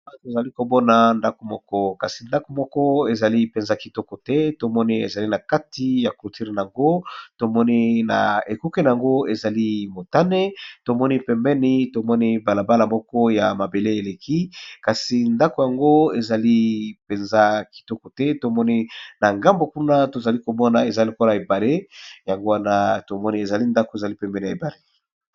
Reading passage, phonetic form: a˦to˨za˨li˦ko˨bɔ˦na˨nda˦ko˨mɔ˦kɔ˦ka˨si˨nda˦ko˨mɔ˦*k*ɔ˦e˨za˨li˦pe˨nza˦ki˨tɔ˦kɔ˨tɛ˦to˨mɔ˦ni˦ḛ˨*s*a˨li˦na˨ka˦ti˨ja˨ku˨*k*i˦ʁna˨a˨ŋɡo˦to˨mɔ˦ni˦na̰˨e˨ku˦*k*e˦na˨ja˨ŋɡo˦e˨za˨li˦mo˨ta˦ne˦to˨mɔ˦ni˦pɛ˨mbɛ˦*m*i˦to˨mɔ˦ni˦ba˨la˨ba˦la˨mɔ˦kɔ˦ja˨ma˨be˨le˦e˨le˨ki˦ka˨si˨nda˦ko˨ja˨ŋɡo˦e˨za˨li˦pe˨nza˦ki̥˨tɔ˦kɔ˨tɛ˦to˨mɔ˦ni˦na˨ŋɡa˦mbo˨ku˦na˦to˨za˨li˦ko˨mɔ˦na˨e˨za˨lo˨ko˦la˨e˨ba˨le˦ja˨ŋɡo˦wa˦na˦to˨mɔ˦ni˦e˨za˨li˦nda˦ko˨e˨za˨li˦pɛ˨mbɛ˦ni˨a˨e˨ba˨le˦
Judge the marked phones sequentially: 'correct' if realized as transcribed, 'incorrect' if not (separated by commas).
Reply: correct, incorrect, incorrect, correct, incorrect